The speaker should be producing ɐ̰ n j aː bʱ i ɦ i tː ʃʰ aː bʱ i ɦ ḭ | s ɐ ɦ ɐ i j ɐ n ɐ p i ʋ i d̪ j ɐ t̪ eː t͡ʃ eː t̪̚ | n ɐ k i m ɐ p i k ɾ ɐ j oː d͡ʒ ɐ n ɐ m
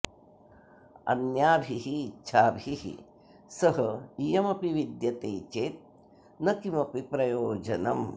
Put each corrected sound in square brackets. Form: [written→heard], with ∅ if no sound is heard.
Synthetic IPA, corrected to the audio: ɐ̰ n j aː bʱ i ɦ i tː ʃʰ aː bʱ i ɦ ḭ | s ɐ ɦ ɐ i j ɐ [n→m] ɐ p i ʋ i d̪ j ɐ t̪ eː t͡ʃ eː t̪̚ | n ɐ k i m ɐ p i [k→p] ɾ ɐ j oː d͡ʒ ɐ n ɐ m